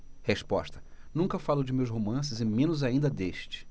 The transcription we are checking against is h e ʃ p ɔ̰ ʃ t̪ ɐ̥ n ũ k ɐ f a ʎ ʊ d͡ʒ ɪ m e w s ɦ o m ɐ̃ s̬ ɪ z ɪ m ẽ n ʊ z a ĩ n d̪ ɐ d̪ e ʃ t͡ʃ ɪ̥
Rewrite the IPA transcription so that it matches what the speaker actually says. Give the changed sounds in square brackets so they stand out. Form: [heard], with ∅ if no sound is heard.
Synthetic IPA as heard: h e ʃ p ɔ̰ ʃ t̪ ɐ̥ n ũ k ɐ f a [l] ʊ d͡ʒ ɪ m e w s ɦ o m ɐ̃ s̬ ɪ z ɪ m ẽ n ʊ z a ĩ n d̪ ɐ d̪ e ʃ t͡ʃ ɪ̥